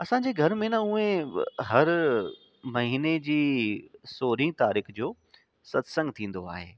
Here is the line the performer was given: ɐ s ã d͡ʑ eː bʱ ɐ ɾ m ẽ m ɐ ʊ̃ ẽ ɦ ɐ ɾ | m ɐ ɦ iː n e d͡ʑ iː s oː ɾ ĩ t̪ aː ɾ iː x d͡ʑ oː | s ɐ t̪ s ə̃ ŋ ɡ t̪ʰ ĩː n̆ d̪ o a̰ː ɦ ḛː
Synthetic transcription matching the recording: ɐ s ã d͡ʑ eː ɡʱ ɐ ɾ m ẽ n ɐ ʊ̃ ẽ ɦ ɐ ɾ | m ɐ ɦ iː n e d͡ʑ iː s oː ɾ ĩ t̪ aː ɾ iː x d͡ʑ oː | s ɐ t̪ s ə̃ ŋ ɡ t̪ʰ ĩː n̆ d̪ o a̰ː ɦ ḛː